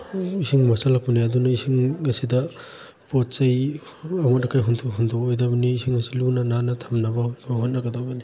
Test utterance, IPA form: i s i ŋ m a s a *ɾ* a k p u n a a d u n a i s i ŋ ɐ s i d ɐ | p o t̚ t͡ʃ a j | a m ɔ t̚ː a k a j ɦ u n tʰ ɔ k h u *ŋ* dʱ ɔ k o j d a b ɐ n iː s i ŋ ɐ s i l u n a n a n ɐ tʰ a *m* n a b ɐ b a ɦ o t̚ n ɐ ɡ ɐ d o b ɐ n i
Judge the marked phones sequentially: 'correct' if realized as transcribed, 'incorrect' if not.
incorrect: l, incorrect: n, correct

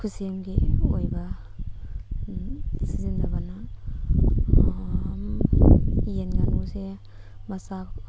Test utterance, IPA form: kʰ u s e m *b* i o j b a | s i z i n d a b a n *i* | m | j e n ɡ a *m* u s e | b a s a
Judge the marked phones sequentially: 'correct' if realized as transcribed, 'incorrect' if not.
incorrect: ɡ, incorrect: a, incorrect: n

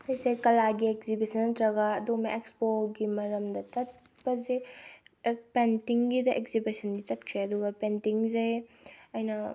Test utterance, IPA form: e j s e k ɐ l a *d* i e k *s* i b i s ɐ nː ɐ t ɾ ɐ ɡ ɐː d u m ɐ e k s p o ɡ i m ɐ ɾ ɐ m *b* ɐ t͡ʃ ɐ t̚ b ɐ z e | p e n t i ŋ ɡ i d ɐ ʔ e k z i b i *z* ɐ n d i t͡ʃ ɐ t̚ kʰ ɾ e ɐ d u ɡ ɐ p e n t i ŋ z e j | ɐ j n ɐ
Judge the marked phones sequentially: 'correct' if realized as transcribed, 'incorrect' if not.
incorrect: ɡ, incorrect: z, incorrect: d, incorrect: s

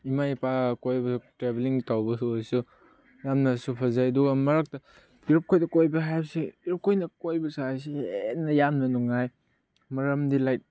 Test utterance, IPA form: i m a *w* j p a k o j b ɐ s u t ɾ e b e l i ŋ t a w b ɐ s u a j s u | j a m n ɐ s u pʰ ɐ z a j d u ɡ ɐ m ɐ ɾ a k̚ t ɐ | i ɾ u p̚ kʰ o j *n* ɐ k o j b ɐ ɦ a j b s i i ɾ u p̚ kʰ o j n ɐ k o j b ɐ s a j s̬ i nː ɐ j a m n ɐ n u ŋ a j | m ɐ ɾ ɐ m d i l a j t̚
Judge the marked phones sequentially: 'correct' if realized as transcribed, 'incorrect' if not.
incorrect: none, incorrect: d

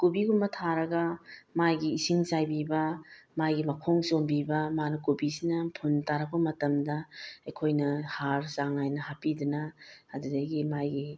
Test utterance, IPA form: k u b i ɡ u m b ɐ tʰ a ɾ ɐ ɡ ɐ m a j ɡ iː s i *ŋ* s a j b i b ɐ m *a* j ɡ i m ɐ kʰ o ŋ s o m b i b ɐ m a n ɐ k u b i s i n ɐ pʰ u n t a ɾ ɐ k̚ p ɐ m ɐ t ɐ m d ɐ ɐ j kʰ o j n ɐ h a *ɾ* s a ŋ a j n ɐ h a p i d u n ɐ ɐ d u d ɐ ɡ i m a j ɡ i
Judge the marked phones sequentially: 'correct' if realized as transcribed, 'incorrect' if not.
correct, correct, correct

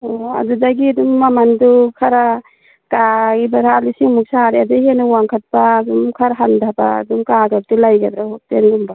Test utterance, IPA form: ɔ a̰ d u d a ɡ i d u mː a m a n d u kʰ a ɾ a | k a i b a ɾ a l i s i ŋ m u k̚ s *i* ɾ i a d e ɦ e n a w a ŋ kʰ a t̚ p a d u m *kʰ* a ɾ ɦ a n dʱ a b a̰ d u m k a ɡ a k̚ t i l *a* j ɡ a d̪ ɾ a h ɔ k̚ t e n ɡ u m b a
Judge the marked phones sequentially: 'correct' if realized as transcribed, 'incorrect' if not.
incorrect: a, correct, correct

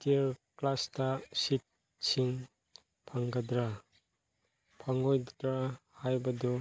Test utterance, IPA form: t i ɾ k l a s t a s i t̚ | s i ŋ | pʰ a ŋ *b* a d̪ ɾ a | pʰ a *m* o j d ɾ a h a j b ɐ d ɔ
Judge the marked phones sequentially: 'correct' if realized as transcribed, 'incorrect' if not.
incorrect: ɡ, incorrect: ŋ

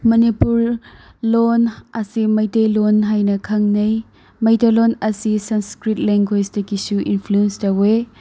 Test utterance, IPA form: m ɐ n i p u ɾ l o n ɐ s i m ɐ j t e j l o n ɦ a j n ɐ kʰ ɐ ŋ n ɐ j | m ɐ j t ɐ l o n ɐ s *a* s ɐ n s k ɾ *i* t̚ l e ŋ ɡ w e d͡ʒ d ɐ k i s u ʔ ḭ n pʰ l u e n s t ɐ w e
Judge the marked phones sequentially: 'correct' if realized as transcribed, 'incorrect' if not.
incorrect: i, correct

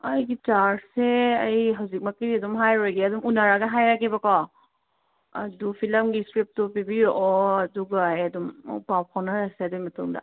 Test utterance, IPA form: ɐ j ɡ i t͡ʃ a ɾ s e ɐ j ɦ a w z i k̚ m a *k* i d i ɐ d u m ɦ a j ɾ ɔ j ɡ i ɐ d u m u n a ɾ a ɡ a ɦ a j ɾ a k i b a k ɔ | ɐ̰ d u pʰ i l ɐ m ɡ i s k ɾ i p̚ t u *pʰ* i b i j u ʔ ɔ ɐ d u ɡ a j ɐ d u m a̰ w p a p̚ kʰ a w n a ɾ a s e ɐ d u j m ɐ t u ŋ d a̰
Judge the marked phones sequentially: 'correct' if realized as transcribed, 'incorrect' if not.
correct, incorrect: p

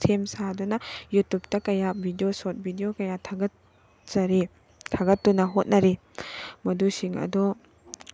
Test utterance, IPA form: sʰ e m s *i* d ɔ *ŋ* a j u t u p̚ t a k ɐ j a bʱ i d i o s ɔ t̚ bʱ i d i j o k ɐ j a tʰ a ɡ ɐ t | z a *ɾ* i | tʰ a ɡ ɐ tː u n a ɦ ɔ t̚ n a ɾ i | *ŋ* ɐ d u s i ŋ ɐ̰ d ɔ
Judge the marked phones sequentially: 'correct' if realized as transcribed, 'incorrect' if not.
incorrect: a, incorrect: n, correct, incorrect: m

